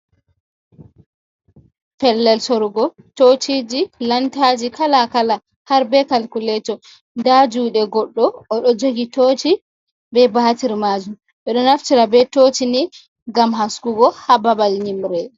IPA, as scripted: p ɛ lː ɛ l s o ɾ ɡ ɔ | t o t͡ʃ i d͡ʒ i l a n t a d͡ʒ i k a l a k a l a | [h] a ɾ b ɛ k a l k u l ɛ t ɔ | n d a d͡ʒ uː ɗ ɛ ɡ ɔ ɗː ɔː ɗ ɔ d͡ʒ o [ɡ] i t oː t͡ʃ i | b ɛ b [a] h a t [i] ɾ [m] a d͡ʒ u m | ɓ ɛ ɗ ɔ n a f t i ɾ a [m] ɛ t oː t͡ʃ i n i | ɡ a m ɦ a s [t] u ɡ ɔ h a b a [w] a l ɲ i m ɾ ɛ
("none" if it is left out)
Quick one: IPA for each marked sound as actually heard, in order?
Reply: h, ɡ, a, i, m, b, k, b

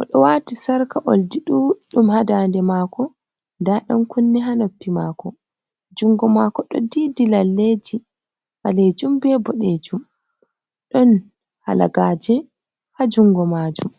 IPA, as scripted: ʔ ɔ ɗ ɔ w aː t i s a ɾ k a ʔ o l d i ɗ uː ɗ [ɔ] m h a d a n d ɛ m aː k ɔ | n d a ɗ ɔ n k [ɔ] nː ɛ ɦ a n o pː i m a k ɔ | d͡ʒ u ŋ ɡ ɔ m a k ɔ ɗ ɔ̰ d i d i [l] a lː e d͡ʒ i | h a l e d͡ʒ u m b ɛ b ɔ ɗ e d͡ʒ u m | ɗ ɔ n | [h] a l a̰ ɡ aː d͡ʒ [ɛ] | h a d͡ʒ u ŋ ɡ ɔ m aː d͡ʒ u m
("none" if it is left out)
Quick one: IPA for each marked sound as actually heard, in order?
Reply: u, u, l, h, ɛ

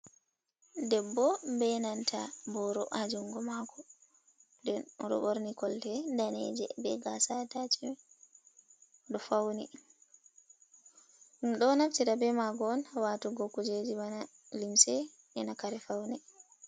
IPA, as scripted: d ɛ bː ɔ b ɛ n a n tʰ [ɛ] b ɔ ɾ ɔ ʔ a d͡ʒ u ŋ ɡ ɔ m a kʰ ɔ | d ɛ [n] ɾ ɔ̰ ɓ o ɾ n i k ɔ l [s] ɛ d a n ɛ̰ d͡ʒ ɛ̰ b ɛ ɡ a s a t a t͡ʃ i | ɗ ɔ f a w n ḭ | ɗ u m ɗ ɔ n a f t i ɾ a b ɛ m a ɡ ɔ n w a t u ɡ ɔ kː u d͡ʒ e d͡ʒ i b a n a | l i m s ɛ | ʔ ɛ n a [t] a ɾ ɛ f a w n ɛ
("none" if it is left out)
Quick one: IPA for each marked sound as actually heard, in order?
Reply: a, n, t, k

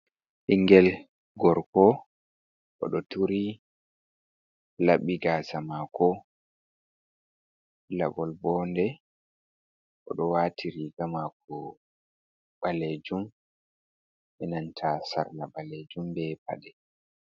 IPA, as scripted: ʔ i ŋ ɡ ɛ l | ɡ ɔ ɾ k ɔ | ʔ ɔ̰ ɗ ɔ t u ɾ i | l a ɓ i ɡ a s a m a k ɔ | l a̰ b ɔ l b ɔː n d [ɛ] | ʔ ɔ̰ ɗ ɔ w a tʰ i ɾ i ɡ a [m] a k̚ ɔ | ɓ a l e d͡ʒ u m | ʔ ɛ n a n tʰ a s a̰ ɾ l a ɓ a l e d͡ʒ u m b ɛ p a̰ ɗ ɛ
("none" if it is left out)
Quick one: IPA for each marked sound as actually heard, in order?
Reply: ɛ, m

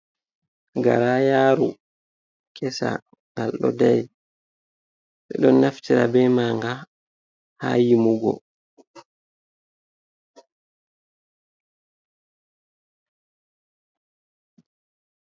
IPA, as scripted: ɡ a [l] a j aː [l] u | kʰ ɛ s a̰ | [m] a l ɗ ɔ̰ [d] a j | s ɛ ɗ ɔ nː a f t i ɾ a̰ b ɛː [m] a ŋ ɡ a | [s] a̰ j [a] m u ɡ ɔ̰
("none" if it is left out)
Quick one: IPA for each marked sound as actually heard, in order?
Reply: ɾ, ɾ, ŋ, d, m, h, i

